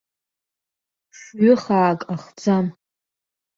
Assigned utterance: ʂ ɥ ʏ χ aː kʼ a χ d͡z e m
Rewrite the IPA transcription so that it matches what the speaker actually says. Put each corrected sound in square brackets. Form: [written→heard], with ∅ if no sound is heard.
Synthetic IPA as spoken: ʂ ɥ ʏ χ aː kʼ a χ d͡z [e→a] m

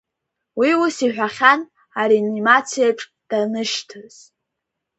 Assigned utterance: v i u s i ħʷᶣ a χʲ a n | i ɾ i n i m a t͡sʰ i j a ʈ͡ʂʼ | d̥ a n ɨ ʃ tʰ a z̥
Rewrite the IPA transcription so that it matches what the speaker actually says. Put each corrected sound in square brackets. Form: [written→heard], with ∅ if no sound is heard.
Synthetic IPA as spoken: [v→w] i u s i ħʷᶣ a χʲ a n | [i→a] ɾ i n i m a t͡sʰ i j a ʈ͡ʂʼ | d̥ a n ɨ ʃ tʰ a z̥

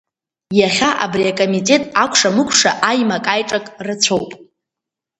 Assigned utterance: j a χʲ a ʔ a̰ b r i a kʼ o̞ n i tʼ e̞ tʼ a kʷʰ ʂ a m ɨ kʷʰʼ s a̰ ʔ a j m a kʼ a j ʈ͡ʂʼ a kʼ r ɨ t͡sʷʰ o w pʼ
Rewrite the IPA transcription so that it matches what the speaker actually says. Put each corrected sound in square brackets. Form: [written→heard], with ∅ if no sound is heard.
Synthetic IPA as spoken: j a χʲ a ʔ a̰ b r i a kʼ o̞ [n→m] i tʼ e̞ tʼ a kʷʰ ʂ a m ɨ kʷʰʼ [s→ʂ] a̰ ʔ a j m a kʼ a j ʈ͡ʂʼ a kʼ r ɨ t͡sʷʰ o w pʼ

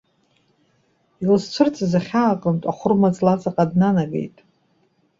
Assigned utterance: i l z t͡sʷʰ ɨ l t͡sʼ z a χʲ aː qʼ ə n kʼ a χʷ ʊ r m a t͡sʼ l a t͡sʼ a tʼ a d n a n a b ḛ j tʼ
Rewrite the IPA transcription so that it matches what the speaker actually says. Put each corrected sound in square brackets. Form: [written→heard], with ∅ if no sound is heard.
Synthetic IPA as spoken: i l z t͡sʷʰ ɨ [l→r] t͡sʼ z a χʲ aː qʼ ə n [kʼ→tʼ] a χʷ ʊ r m a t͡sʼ l a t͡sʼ a [tʼ→qʼ] a d n a n a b ḛ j tʼ

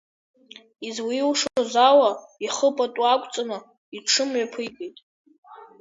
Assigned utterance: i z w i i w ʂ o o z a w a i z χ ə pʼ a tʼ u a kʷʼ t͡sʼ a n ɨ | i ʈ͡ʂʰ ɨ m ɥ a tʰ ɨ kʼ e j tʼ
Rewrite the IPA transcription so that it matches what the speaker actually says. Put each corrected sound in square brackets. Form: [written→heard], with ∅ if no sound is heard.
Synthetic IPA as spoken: i z w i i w ʂ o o z a w a i [z→∅] χ ə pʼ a tʼ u a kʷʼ t͡sʼ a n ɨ | i ʈ͡ʂʰ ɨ m ɥ a [tʰ→pʰ] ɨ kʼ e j tʼ

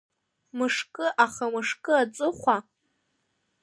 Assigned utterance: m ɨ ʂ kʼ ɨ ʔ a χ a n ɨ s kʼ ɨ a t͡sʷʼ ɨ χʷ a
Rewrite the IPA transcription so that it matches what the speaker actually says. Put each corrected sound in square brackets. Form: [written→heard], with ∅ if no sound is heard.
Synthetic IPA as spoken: m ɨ ʂ kʼ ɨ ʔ a χ a [n→m] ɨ [s→ʂ] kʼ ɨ a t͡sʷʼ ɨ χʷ a

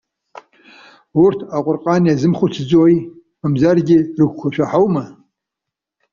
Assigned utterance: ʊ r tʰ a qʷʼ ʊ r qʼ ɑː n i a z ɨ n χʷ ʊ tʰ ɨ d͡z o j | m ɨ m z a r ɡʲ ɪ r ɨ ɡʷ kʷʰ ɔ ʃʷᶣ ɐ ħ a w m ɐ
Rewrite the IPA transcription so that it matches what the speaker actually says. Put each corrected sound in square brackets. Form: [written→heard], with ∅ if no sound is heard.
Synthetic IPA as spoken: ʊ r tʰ a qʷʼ ʊ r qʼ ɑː n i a z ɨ [n→m] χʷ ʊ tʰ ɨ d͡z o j | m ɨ m z a r ɡʲ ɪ r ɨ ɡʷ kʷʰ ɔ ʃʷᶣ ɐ ħ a w m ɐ

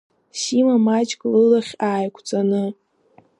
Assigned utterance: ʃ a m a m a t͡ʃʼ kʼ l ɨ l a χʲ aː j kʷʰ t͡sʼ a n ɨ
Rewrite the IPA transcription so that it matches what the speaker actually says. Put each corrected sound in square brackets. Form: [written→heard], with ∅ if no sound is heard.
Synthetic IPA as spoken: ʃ [a→i] m a m a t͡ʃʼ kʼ l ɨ l a χʲ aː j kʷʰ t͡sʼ a n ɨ

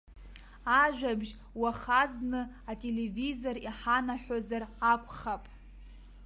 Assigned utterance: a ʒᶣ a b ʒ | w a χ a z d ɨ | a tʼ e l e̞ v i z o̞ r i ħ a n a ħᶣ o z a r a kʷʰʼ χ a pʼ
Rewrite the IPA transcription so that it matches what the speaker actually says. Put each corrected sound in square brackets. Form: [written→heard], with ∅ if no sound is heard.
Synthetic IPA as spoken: a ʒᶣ a b ʒ | w a χ a z [d→n] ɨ | a tʼ e l e̞ v i z o̞ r i ħ a n a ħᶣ o z a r a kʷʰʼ χ a pʼ

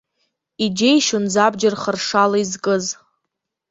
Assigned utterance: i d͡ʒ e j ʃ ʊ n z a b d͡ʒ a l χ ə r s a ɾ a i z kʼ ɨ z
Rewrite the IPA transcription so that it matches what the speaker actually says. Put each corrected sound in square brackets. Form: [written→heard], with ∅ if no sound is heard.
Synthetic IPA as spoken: i d͡ʒ e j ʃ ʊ n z a b d͡ʒ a [l→r] χ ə r [s→ʂ] a [ɾ→l] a i z kʼ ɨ z

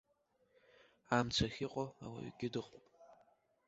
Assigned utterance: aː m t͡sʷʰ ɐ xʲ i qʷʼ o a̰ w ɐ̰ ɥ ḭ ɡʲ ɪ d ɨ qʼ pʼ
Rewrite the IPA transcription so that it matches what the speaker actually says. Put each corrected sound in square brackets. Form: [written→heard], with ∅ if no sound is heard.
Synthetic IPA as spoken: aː m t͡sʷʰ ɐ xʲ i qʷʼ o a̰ w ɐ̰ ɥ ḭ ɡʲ ɪ d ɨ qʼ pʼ

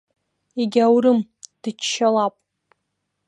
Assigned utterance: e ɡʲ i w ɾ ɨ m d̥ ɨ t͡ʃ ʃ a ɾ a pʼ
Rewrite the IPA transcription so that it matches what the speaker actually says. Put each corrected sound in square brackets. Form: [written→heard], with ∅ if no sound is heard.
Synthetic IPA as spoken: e ɡʲ [i→a] w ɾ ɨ m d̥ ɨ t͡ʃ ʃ a [ɾ→l] a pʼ

